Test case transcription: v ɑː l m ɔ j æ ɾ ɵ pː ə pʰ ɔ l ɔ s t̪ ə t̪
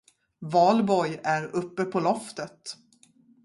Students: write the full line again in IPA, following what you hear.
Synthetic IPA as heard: v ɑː l b ɔ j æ ɾ ɵ pː ə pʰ ɔ l ɔ f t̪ ə t̪